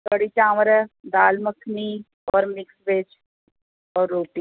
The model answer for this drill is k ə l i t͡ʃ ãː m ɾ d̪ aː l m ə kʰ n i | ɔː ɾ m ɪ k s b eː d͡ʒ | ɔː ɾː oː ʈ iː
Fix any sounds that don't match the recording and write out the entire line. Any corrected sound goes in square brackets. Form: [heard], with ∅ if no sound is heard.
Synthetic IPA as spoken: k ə [ɽ] i t͡ʃ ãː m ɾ d̪ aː l m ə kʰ n i | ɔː ɾ m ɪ k s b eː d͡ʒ | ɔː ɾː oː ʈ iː